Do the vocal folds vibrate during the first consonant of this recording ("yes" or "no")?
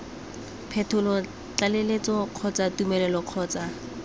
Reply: no